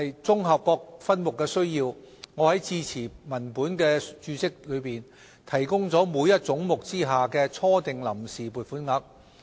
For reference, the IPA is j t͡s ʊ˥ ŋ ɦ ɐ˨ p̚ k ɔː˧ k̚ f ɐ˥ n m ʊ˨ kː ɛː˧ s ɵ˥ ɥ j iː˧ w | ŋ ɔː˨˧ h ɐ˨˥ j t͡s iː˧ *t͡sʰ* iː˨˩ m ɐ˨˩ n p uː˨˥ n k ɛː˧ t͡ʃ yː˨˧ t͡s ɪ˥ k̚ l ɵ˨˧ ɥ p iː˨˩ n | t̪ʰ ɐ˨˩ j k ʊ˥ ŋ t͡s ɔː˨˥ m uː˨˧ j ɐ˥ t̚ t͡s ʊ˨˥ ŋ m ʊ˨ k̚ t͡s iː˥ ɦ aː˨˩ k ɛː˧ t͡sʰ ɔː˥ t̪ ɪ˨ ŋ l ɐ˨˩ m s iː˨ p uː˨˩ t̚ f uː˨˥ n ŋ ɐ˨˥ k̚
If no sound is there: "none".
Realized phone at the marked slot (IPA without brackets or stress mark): t͡sʰ